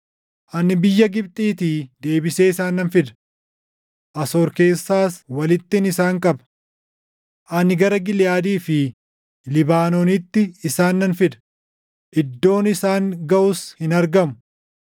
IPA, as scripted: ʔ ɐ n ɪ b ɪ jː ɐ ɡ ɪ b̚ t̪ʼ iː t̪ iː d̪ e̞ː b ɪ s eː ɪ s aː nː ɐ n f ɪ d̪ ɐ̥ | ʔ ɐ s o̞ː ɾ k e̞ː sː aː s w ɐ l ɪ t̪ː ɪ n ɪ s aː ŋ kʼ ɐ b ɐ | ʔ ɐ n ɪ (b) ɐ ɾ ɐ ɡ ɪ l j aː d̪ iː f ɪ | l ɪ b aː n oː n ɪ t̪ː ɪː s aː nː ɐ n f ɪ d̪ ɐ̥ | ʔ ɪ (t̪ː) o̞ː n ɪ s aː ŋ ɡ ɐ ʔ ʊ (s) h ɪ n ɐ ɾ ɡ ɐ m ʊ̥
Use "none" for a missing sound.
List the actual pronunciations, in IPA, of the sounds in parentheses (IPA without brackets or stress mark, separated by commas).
ɡ, d̪ː, s